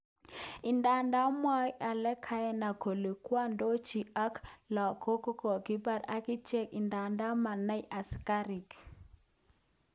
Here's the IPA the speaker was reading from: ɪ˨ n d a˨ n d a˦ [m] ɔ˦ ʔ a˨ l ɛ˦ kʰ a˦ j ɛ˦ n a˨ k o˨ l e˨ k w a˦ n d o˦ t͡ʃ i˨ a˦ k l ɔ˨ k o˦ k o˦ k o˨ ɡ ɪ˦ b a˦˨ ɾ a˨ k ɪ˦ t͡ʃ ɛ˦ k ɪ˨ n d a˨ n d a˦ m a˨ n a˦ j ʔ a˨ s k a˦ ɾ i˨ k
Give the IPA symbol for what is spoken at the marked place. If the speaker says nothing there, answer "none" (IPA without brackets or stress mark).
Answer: m